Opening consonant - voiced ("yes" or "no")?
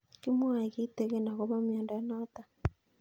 no